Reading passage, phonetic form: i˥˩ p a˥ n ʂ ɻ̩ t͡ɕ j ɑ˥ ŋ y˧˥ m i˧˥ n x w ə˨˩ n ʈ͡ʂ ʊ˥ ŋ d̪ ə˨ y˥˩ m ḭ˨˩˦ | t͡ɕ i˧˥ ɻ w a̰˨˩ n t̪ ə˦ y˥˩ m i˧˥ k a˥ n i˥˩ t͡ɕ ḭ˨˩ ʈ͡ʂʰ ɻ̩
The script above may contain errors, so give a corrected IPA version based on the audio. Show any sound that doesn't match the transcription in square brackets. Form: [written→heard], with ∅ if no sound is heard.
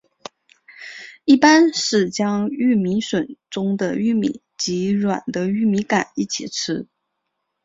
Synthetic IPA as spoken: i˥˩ p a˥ n ʂ ɻ̩ t͡ɕ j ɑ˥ ŋ [y˧˥→y˥˩] m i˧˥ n [x→ʂ] w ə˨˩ n ʈ͡ʂ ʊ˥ ŋ d̪ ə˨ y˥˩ m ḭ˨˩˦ | t͡ɕ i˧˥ ɻ w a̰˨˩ n [t̪→d̪] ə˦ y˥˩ m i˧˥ k [a˥→a˨˩] n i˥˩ [t͡ɕ→t͡ɕʰ] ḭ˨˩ ʈ͡ʂʰ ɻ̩